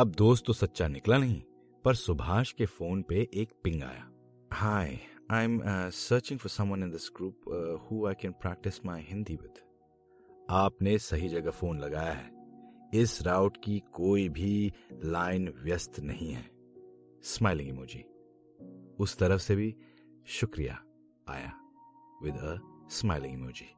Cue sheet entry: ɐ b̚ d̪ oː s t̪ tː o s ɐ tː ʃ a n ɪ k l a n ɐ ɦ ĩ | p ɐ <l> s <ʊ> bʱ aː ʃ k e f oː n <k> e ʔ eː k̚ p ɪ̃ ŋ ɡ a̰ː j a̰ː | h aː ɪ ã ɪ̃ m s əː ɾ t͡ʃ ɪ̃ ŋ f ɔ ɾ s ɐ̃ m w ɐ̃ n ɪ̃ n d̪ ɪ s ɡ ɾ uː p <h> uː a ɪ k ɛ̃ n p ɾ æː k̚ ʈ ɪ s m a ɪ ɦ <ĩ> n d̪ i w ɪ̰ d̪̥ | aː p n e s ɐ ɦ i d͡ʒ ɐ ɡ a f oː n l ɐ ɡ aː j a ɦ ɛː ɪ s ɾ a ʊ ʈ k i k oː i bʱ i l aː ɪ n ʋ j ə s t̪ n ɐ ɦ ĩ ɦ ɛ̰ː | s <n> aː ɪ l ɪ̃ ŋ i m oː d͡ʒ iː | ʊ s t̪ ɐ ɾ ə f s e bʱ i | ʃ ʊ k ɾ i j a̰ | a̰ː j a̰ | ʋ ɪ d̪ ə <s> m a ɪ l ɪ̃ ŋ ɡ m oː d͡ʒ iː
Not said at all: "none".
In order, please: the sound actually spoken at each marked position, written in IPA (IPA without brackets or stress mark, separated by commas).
ɾ, ʊ, p, h, ɪ̃, m, s